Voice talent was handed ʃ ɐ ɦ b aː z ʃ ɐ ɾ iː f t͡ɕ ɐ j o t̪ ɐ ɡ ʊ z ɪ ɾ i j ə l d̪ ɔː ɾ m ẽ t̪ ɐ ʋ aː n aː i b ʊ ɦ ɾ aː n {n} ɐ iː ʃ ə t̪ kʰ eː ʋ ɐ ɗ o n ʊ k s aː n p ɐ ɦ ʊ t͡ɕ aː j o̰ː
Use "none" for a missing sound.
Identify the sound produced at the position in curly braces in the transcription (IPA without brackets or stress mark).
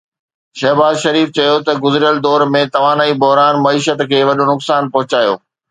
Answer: m